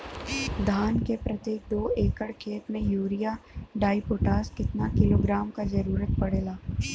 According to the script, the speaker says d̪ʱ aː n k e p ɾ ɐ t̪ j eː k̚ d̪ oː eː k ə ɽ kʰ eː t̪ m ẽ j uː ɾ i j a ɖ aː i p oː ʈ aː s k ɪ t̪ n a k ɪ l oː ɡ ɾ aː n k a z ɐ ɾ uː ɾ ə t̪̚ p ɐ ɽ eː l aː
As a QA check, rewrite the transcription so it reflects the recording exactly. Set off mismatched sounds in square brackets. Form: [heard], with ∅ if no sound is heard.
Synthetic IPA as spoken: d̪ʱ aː n k e p ɾ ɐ t̪ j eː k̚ d̪ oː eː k ə ɽ kʰ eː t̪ m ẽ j uː ɾ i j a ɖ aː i p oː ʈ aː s k ɪ t̪ n a k ɪ l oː ɡ ɾ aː [m] k a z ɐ ɾ uː ɾ ə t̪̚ p ɐ ɽ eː l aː